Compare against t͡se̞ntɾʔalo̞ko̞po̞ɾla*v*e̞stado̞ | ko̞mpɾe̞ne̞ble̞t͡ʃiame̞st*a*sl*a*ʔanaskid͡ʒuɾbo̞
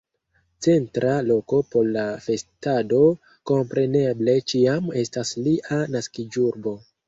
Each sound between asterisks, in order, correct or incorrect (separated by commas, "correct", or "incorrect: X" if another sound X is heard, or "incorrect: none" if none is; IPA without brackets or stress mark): incorrect: f, correct, incorrect: i